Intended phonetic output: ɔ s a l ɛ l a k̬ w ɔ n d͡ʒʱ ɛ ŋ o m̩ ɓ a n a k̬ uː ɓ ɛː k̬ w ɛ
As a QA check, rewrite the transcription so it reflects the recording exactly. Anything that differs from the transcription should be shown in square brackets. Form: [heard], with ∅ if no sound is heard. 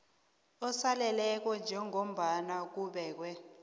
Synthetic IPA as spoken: ɔ s a l ɛ l [ɛ] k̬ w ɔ n d͡ʒʱ ɛ ŋ o m̩ ɓ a n a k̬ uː ɓ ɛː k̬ w ɛ